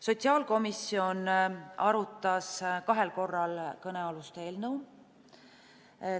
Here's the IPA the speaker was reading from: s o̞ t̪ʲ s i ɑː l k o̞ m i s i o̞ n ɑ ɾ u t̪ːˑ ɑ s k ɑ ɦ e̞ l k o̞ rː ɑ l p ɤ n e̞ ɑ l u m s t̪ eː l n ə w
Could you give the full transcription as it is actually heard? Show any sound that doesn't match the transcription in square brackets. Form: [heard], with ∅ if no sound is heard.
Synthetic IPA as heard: s o̞ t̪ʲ s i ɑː l k o̞ m i s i o̞ n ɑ ɾ u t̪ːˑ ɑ s k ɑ ɦ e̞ l k o̞ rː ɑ l [k] ɤ n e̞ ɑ l u [∅] s t̪ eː l n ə w